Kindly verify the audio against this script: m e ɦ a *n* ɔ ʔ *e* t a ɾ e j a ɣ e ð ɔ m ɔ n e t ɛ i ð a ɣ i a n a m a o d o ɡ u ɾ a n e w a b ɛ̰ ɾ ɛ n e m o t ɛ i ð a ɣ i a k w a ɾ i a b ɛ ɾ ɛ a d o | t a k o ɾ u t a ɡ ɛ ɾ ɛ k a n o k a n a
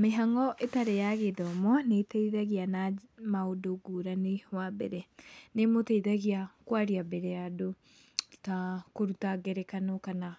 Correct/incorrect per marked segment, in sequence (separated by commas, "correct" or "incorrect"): incorrect, correct